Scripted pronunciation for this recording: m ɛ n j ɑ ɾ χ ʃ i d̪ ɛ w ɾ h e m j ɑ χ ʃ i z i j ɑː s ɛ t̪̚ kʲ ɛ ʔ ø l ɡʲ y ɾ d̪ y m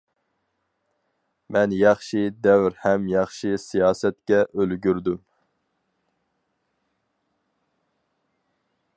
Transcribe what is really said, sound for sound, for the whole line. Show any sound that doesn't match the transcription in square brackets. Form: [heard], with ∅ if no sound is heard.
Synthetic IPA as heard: m ɛ n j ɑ [∅] χ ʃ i d̪ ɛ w ɾ h [ɛ] m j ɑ χ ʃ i [s] i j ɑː s ɛ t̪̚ kʲ ɛ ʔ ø l ɡʲ y ɾ d̪ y m